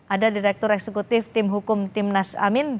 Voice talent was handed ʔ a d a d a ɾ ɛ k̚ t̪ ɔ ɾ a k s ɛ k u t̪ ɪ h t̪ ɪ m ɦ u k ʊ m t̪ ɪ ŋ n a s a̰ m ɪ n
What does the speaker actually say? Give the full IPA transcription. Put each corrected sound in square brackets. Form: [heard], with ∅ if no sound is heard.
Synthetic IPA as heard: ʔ a d a d [i] ɾ ɛ k̚ t̪ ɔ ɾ [ɛ] k s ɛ k u t̪ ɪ [f] t̪ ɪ m ɦ u k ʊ m t̪ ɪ [m] n a s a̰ m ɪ n

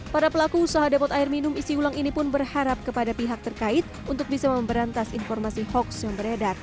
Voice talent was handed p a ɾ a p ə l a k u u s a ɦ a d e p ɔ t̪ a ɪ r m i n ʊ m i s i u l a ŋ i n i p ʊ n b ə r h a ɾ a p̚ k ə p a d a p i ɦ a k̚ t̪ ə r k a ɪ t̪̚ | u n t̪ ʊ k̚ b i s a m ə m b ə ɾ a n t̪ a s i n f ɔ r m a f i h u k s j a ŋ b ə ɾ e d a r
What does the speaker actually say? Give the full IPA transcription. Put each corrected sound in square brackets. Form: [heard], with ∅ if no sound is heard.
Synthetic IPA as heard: p a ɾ a p ə l a k u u s a ɦ a d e p ɔ t̪ a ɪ r m i n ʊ m i s i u l a ŋ i n i p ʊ n b ə r h a ɾ a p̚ k ə p a d a p i ɦ a k̚ t̪ ə r k a ɪ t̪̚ | u n t̪ ʊ k̚ b i s a m ə m b ə ɾ a n t̪ a s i n f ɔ r m a [s] i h [ɔ] k s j a ŋ b ə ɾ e d a r

